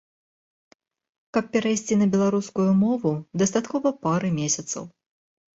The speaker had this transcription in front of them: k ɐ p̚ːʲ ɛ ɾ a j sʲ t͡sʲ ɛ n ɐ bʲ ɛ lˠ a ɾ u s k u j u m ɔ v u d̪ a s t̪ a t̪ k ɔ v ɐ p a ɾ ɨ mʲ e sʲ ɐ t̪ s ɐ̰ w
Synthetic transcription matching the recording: k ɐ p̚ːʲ ɛ ɾ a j sʲ t͡sʲ i n ɐ bʲ ɛ lˠ a ɾ u s k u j u m ɔ v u d̪ ɐ s t̪ a t̪ k ɔ v ɐ p a ɾ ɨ mʲ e sʲ ɐ t̪ s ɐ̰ w